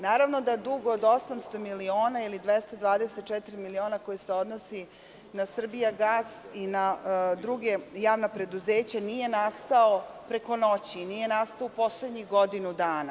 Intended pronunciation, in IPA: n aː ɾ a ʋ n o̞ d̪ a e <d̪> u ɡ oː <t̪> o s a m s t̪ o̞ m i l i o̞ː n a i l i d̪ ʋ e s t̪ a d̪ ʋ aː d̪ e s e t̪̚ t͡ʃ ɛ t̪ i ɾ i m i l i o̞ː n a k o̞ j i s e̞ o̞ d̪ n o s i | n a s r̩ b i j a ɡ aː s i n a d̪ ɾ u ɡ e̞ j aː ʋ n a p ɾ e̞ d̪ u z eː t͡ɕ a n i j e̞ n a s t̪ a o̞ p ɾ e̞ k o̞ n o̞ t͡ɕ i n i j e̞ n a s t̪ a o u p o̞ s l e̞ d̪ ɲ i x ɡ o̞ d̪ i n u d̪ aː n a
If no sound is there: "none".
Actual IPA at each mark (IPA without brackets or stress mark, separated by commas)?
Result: d̪, d̪